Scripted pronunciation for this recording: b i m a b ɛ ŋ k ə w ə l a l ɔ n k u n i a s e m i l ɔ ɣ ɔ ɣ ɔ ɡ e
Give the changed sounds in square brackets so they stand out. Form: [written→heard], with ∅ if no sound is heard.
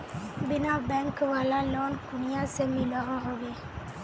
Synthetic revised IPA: b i [m→n] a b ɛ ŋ k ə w [ə→a] l a l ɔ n k u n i a s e m i l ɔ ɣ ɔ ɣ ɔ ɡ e

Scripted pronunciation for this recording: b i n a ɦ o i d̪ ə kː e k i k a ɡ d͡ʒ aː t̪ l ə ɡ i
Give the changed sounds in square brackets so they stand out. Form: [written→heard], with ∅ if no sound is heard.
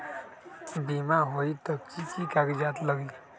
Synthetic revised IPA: b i [n→m] a ɦ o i [d̪→t̪] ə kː [e→i] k i k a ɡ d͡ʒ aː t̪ l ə ɡ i

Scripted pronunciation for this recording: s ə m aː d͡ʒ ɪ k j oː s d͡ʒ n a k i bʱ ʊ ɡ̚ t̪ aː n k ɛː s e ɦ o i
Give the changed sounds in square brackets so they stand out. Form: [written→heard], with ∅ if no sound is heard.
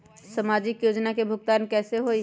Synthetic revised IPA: s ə m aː d͡ʒ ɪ k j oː [s→∅] d͡ʒ n a k [i→e] bʱ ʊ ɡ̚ t̪ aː n k ɛː s e ɦ o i

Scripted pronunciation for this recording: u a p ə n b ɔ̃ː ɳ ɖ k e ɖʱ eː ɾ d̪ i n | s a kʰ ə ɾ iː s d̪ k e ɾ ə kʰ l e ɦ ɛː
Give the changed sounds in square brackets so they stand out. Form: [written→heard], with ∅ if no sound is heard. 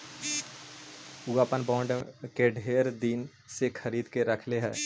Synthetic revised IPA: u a p ə n b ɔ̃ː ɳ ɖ k e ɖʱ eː ɾ d̪ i n | s [a→e] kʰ ə ɾ iː [s→∅] d̪ k e ɾ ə kʰ l e ɦ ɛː

